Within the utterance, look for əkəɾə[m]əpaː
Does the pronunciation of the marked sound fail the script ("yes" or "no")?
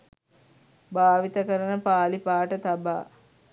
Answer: yes